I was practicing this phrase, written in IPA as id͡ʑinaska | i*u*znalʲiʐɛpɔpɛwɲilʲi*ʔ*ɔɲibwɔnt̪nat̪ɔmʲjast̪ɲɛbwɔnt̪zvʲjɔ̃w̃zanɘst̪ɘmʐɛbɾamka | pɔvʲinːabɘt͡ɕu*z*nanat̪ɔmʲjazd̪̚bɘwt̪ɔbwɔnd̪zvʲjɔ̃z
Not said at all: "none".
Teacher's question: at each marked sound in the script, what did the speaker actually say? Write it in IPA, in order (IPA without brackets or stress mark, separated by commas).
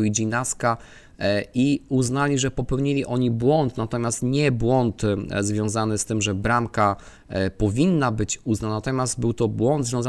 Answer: u, ʔ, z